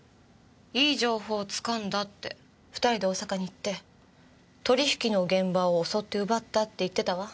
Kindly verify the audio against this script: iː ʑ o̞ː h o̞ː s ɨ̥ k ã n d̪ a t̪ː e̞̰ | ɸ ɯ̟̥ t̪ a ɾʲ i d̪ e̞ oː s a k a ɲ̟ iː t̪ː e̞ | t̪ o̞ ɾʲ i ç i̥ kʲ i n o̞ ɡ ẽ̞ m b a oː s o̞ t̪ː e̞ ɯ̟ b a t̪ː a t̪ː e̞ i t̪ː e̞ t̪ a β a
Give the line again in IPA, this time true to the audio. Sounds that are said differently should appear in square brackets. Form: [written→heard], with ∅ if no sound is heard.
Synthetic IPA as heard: iː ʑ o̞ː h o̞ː [s→t͡s] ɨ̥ k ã n d̪ a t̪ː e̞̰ | ɸ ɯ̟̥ t̪ a ɾʲ i d̪ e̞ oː s a k a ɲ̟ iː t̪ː e̞ | t̪ o̞ ɾʲ i ç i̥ kʲ i n o̞ ɡ ẽ̞ m b a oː s o̞ t̪ː e̞ ɯ̟ b a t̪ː a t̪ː e̞ i t̪ː e̞ t̪ a β a